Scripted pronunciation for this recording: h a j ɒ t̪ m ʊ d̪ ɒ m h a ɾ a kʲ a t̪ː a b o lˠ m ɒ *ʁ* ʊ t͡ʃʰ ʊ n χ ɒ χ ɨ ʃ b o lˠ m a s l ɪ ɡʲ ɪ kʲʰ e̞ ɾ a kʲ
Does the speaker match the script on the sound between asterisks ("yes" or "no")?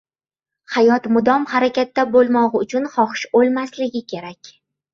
yes